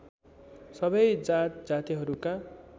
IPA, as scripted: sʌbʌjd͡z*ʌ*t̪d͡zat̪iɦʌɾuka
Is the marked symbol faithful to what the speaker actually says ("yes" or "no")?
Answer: no